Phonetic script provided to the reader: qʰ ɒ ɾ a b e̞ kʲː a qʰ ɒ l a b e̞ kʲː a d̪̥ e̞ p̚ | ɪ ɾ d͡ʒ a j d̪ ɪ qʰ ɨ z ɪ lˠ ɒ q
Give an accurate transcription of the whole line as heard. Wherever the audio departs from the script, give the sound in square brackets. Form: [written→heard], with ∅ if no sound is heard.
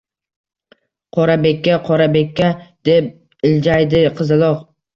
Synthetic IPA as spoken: qʰ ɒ ɾ a b e̞ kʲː a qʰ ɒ [l→ɾ] a b e̞ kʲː a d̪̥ e̞ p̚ | ɪ [ɾ→l] d͡ʒ a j d̪ ɪ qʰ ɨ z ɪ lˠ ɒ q

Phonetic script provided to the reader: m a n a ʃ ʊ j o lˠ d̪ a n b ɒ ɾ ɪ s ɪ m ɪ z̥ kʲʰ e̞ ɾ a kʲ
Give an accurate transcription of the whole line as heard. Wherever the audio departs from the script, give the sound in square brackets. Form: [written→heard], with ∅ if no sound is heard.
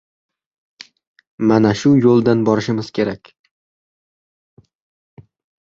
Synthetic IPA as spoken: m a n a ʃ ʊ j o lˠ d̪ a n b ɒ ɾ ɪ [s→ʃ] ɪ m ɪ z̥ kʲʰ e̞ ɾ a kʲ

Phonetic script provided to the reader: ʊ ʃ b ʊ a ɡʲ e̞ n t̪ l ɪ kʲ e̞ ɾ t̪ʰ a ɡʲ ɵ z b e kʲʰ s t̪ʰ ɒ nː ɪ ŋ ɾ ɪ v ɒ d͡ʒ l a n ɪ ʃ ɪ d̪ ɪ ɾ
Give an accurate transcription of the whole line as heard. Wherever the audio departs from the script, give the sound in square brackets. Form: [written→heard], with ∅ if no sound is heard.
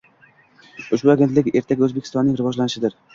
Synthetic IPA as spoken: ʊ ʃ b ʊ a ɡʲ e̞ n t̪ l ɪ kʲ e̞ ɾ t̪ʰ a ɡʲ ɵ z b e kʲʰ s [t̪ʰ→t̪] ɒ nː ɪ ŋ ɾ ɪ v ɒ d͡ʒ l a n ɪ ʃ ɪ d̪ ɪ ɾ

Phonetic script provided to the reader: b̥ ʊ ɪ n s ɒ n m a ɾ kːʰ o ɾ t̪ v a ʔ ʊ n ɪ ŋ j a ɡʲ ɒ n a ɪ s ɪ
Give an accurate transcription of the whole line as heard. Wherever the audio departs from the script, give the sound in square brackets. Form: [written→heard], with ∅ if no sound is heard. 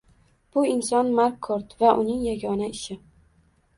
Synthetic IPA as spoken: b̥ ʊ ɪ n s ɒ n m a ɾ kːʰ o ɾ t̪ v a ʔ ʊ n ɪ ŋ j a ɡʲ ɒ n a ɪ [s→ʃ] ɪ

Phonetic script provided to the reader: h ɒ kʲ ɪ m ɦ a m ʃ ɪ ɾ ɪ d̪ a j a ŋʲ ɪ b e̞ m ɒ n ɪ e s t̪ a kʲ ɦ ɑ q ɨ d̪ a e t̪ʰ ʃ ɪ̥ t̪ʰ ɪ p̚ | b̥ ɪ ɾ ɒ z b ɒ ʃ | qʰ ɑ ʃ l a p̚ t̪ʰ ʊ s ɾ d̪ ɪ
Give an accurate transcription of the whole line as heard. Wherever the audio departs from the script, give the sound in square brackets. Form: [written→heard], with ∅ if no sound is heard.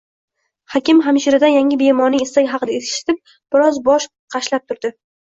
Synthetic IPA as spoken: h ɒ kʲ ɪ m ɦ a m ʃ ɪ ɾ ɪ d̪ a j a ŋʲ ɪ b e̞ m ɒ n ɪ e s t̪ a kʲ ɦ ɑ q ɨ d̪ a e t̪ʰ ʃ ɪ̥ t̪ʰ ɪ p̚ | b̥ ɪ ɾ ɒ z b ɒ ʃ | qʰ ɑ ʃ l a p̚ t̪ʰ ʊ [s→∅] ɾ d̪ ɪ

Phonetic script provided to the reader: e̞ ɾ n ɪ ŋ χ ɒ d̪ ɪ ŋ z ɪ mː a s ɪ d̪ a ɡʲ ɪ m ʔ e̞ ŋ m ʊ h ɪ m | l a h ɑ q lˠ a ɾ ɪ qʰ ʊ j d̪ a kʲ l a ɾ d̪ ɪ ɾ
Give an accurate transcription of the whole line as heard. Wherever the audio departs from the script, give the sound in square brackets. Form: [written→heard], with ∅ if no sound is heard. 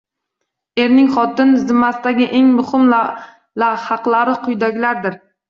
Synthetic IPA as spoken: e̞ ɾ n ɪ ŋ χ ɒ [d̪→t̪] ɪ [ŋ→n] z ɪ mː a s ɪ d̪ a ɡʲ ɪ [m→∅] ʔ e̞ ŋ m ʊ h ɪ m | l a h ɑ q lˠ a ɾ ɪ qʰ ʊ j d̪ a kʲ l a ɾ d̪ ɪ ɾ

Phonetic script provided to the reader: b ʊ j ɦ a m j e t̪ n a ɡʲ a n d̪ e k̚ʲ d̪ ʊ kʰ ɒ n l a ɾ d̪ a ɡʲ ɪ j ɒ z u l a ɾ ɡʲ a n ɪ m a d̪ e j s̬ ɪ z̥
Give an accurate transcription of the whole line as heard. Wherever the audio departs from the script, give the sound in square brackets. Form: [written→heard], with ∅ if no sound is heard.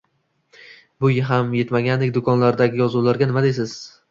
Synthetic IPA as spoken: b ʊ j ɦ a m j e t̪ [n→m] a ɡʲ a n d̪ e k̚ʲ d̪ ʊ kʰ ɒ n l a ɾ d̪ a ɡʲ ɪ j ɒ z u l a ɾ ɡʲ a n ɪ m a d̪ e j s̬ ɪ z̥

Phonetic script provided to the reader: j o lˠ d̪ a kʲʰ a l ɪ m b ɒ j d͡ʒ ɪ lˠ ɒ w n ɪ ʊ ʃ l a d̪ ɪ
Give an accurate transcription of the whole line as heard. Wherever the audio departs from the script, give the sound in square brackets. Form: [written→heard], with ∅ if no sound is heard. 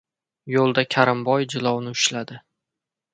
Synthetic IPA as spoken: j o lˠ d̪ a kʲʰ a [l→ɾ] ɪ m b ɒ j d͡ʒ ɪ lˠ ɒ w n ɪ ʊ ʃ l a d̪ ɪ

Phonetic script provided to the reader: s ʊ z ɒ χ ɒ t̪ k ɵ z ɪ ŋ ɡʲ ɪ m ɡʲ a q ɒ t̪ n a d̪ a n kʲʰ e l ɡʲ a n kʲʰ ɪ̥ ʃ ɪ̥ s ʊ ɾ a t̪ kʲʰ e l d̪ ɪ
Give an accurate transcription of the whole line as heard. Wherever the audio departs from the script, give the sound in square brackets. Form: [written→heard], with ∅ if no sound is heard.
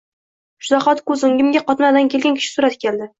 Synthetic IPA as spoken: [s→ʃ] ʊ z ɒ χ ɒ t̪ k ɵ z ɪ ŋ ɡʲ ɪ m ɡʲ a q ɒ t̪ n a d̪ a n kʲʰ e l ɡʲ a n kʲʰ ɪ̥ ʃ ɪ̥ s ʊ ɾ a t̪ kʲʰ e l d̪ ɪ

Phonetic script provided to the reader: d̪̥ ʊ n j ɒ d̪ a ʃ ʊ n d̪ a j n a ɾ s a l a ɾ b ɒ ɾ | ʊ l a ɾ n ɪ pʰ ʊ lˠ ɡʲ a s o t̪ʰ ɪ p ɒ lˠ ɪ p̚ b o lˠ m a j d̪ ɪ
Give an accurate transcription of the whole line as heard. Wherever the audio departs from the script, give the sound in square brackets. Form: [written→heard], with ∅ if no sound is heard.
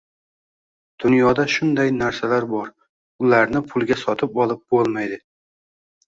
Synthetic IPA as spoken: d̪̥ ʊ n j ɒ d̪ a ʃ ʊ n d̪ a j n a ɾ s a l a ɾ b ɒ ɾ | ʊ l a ɾ n ɪ pʰ ʊ lˠ ɡʲ a s [o→ɒ] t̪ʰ ɪ p ɒ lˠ ɪ p̚ b o lˠ m a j d̪ ɪ

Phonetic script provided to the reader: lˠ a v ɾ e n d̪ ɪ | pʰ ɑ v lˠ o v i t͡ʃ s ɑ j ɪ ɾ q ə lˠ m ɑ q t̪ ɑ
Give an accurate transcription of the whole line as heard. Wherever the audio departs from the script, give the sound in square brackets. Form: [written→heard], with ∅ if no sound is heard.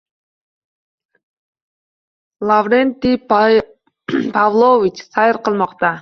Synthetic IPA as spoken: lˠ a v ɾ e n [d̪→t̪] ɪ | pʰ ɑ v lˠ o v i t͡ʃ s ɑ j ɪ ɾ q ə lˠ m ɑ q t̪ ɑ

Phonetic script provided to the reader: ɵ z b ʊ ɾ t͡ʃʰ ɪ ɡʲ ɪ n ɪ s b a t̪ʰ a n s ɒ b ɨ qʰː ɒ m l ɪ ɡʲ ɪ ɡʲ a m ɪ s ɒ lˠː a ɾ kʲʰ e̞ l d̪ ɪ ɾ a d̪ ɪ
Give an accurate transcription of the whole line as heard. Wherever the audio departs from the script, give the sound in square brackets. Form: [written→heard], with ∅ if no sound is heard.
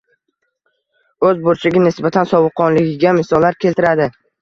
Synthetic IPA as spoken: ɵ z b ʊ ɾ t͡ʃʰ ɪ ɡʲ ɪ n ɪ s b a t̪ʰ a n s ɒ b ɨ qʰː ɒ [m→n] l ɪ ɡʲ ɪ ɡʲ a m ɪ s ɒ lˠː a ɾ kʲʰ e̞ l [d̪→t̪] ɪ ɾ a d̪ ɪ

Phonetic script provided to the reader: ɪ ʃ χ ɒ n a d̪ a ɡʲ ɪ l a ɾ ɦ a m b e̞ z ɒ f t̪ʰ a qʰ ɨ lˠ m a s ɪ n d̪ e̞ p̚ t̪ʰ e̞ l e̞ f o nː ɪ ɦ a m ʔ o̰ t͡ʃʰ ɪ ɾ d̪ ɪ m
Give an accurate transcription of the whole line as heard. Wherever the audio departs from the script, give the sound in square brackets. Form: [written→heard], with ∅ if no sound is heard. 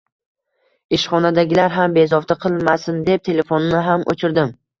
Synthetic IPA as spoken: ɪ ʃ χ ɒ n a d̪ a ɡʲ ɪ l a ɾ ɦ a m b e̞ z ɒ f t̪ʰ a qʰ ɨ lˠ m a s ɪ n d̪ e̞ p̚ t̪ʰ e̞ l e̞ f o nː ɪ ɦ a m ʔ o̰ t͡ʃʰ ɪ ɾ d̪ ɪ m

